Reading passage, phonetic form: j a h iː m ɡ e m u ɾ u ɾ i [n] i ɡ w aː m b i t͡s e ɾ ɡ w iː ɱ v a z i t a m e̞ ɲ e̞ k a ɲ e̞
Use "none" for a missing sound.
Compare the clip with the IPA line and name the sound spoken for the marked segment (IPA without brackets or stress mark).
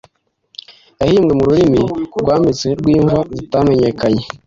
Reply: m